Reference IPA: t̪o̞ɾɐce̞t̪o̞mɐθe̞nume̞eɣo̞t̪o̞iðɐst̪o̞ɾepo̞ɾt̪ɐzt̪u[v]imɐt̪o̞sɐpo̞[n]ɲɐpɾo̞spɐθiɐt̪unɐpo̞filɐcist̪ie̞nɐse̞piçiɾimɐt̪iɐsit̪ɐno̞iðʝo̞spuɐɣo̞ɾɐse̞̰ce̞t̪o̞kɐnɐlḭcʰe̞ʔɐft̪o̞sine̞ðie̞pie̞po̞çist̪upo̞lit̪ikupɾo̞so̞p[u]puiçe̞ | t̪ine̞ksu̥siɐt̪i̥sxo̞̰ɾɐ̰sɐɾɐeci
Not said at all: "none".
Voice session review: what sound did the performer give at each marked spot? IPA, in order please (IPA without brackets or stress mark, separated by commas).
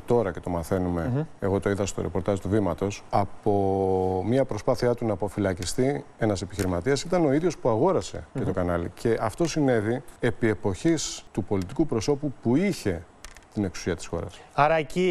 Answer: v, m, u